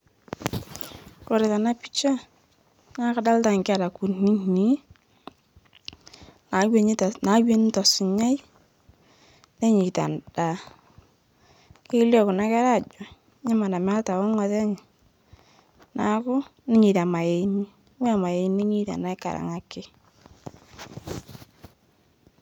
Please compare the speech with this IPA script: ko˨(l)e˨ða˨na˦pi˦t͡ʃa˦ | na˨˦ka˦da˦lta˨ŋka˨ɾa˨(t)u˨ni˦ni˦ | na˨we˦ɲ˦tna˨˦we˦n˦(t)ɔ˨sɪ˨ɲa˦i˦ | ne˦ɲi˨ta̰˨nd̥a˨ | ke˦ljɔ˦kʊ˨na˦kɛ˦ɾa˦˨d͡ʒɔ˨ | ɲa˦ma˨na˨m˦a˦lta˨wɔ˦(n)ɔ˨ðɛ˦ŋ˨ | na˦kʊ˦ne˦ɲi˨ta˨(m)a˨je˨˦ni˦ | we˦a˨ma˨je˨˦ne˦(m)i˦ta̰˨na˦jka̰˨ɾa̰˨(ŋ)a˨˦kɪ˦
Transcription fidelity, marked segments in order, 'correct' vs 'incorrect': incorrect, incorrect, correct, incorrect, correct, incorrect, correct

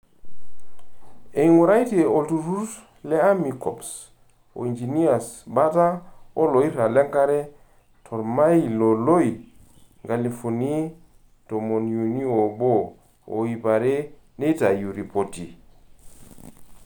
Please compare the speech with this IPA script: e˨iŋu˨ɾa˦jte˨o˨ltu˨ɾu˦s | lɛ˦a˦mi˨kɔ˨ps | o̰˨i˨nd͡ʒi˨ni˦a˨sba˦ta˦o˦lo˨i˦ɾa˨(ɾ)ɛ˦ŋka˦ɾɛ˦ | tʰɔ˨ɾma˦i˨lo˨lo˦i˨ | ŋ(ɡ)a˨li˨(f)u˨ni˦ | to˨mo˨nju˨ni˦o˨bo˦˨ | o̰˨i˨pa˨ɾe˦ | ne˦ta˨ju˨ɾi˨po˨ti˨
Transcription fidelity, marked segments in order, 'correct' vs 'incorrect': incorrect, correct, correct

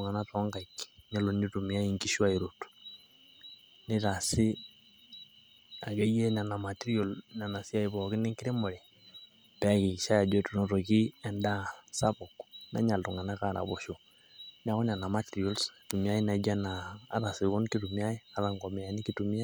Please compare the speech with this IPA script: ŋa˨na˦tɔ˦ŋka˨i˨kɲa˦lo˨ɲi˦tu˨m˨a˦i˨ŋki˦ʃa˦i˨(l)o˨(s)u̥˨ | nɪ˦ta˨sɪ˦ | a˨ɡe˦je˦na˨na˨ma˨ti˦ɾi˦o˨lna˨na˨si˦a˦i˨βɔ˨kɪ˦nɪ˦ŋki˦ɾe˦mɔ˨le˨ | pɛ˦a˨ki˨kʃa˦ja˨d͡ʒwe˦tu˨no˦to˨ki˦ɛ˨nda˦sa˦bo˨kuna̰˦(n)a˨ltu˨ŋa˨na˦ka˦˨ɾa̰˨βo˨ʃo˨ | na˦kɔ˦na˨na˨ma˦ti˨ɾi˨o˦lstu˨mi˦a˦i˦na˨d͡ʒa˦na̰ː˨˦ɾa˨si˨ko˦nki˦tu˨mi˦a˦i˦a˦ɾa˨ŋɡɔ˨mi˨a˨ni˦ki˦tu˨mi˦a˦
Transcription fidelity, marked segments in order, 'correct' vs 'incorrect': incorrect, incorrect, incorrect

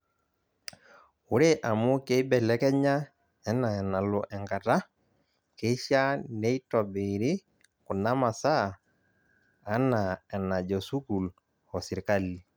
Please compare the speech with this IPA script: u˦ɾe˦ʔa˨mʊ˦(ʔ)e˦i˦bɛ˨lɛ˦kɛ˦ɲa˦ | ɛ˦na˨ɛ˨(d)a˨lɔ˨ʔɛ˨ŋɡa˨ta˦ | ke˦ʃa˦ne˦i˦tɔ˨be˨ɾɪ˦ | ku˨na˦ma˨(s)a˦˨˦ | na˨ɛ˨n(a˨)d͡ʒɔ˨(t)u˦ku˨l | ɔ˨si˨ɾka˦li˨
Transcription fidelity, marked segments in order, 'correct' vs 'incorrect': incorrect, incorrect, correct, correct, incorrect

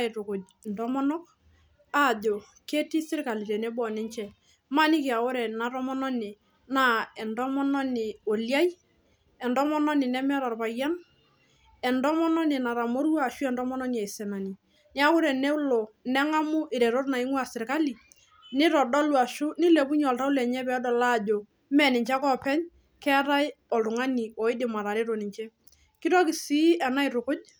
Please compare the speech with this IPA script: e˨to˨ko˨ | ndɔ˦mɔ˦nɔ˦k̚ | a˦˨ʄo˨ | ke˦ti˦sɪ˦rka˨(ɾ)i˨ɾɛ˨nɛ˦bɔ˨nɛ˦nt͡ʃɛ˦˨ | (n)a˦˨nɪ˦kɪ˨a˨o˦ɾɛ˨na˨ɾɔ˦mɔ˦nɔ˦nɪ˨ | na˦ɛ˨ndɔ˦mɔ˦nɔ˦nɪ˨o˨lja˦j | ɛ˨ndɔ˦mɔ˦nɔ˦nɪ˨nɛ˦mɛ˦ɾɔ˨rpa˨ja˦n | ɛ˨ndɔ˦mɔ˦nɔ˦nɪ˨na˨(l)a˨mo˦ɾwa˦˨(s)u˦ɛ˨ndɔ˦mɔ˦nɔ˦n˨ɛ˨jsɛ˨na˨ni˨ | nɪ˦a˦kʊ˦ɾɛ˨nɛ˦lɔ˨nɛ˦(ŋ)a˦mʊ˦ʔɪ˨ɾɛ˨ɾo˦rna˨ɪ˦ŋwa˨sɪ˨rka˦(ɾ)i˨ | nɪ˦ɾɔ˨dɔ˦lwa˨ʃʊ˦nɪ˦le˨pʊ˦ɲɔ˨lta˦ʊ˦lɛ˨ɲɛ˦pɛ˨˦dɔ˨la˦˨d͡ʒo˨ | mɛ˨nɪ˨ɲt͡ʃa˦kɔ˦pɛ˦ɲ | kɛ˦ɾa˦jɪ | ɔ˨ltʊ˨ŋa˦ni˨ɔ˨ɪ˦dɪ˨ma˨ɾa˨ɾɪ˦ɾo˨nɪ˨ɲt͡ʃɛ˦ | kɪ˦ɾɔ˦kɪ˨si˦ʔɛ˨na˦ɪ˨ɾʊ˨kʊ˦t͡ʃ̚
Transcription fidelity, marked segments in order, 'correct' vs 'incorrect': incorrect, incorrect, incorrect, incorrect, correct, incorrect

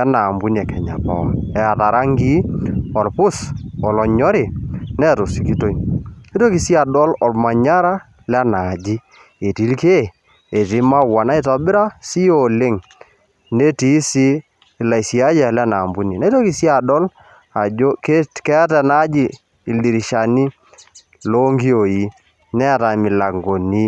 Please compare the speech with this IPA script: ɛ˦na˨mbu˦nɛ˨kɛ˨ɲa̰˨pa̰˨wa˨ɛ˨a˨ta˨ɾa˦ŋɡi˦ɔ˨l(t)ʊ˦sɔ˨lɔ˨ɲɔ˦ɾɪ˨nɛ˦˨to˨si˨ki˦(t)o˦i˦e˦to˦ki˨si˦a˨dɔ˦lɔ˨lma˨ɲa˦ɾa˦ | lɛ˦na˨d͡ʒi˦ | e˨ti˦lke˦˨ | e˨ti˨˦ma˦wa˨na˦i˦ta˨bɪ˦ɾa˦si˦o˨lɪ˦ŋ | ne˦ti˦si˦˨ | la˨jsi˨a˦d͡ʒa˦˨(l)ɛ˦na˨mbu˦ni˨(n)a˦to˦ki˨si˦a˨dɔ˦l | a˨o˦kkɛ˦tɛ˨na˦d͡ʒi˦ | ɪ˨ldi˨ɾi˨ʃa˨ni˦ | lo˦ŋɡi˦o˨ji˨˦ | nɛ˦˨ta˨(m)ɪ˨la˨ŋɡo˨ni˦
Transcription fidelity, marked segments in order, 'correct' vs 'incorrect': incorrect, correct, correct, correct, correct

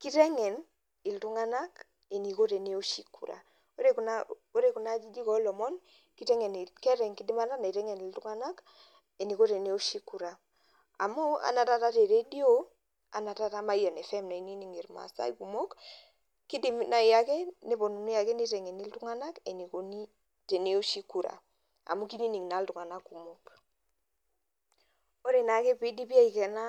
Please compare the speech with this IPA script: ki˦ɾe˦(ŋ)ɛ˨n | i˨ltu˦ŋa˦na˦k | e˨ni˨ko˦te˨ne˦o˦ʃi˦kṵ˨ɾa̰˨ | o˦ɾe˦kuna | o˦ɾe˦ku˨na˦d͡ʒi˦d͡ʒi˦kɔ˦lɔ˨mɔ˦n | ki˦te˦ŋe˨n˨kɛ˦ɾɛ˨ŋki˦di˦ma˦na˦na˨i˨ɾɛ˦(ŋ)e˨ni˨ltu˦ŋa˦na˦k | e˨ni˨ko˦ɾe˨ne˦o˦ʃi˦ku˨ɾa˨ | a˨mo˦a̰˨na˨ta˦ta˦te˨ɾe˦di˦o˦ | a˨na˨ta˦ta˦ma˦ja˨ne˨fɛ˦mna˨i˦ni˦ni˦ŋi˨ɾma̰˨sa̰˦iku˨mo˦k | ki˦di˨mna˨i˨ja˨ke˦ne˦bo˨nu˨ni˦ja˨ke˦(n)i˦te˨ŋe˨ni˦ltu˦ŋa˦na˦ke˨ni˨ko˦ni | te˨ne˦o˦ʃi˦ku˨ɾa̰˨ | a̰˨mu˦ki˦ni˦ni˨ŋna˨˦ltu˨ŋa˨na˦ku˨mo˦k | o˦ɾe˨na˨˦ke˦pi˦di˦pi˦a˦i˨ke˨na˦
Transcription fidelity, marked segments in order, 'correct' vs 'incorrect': correct, correct, correct

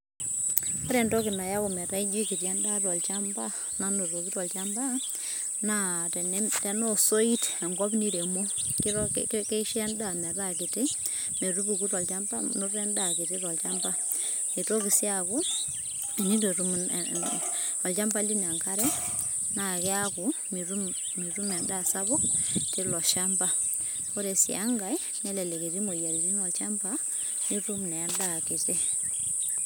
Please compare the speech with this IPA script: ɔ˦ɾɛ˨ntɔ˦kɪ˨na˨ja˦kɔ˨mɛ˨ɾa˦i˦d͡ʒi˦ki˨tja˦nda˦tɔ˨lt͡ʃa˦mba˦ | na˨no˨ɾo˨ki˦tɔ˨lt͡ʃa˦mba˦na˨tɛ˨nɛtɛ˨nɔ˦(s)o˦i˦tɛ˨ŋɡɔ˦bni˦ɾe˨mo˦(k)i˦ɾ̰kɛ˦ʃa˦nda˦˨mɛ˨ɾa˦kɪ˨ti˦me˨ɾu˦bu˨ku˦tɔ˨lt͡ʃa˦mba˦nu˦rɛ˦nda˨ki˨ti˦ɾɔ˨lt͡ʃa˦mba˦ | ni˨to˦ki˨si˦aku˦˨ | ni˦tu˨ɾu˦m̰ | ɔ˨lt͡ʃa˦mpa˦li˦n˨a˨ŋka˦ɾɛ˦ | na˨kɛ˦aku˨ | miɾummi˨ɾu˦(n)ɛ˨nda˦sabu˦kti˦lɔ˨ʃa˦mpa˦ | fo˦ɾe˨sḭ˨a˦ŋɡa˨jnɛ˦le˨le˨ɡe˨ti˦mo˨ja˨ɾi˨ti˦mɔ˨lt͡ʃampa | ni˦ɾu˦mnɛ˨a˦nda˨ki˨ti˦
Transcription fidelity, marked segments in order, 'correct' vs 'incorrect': correct, correct, incorrect

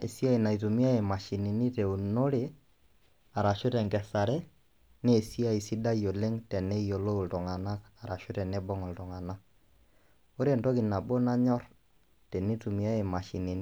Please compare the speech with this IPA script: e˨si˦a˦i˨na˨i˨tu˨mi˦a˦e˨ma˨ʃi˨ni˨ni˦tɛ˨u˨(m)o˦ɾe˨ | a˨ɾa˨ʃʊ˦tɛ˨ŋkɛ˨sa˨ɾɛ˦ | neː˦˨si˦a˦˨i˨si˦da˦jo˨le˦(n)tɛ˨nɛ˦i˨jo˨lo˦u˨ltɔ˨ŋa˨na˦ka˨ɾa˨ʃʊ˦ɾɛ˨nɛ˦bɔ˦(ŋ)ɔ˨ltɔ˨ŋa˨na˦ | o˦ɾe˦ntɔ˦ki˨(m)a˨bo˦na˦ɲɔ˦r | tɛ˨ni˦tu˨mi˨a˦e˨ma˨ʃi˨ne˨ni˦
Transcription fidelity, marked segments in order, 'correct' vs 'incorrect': incorrect, incorrect, correct, incorrect

